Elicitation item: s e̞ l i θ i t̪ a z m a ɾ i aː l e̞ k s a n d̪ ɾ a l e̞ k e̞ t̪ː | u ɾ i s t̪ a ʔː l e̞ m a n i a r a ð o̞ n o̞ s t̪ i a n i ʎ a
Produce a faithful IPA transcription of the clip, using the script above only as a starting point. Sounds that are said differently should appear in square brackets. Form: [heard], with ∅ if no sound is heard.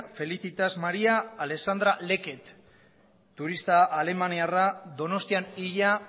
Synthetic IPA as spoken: [f] e̞ l i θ i t̪ a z m a ɾ i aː l e̞ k s a n d̪ ɾ a l e̞ k e̞ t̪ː | u ɾ i s t̪ a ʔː l e̞ m a n i a r a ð o̞ n o̞ s t̪ i a n i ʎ a